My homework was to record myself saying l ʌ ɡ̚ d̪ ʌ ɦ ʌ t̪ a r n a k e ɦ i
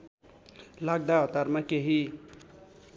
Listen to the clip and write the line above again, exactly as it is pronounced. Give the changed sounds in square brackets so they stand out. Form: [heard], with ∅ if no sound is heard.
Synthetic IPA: l [a] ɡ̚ d̪ [a] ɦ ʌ t̪ a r [m] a k e ɦ i